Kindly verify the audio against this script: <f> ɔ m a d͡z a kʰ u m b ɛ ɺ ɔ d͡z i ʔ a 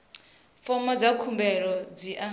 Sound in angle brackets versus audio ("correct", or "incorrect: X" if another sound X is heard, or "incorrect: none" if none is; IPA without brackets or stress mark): correct